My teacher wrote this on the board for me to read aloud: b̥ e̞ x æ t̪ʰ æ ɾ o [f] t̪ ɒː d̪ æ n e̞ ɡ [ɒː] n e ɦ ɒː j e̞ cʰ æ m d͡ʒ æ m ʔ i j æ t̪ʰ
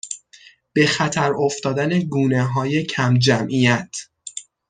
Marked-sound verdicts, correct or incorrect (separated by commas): correct, incorrect